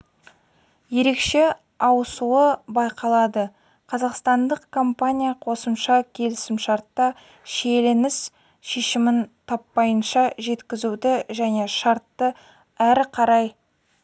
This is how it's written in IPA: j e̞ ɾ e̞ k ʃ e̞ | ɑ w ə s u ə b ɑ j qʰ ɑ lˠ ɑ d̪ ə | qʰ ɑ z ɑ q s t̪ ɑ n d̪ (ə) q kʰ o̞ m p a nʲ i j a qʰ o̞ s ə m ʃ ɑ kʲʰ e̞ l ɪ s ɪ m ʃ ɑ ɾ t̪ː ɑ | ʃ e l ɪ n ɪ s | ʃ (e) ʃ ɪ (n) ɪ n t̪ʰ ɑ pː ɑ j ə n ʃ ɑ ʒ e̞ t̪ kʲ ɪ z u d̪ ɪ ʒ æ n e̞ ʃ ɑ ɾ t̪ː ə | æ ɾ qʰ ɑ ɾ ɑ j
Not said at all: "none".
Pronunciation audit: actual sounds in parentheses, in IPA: ə, e, m

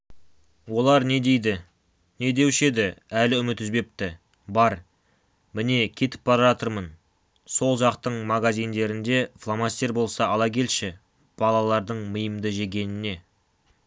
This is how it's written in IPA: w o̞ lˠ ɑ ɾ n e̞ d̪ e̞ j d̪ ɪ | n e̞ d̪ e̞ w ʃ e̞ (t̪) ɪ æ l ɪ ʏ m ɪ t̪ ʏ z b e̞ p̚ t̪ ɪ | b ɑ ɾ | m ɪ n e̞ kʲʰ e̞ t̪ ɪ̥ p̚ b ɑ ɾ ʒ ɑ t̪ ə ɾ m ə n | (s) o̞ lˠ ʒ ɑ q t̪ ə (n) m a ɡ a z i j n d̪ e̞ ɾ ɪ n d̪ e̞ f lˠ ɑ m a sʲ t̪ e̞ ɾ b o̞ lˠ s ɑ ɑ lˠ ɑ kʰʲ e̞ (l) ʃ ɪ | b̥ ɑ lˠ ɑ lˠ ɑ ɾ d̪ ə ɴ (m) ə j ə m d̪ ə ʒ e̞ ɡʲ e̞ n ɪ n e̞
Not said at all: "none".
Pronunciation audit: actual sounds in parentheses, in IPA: d̪, s, ɴ, l, m

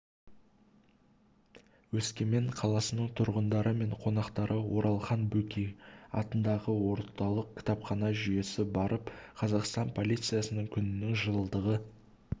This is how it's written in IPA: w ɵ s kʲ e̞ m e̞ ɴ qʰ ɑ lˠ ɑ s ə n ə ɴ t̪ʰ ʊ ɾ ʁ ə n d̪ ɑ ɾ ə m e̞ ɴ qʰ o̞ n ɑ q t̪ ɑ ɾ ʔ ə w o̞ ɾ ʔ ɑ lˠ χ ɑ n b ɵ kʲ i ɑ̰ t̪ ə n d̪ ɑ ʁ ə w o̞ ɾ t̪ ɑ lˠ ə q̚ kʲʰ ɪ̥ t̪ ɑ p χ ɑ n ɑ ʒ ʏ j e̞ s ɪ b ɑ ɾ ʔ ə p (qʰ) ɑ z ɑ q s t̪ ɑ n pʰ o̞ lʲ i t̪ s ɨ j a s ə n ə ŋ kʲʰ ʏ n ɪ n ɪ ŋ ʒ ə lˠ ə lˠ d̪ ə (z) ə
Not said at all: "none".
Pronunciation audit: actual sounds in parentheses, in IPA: qʰ, ʁ

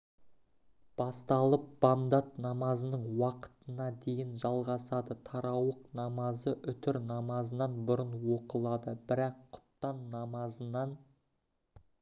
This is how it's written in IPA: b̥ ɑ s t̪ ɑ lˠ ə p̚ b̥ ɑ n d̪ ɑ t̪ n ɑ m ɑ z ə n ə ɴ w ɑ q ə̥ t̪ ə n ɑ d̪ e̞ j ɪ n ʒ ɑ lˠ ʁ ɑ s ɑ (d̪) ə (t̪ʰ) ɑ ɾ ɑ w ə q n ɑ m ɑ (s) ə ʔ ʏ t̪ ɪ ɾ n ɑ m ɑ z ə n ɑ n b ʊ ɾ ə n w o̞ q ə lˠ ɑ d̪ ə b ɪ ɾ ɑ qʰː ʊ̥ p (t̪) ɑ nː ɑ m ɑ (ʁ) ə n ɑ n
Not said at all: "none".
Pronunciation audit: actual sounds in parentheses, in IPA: d̪, t̪ʰ, z, t̪, z

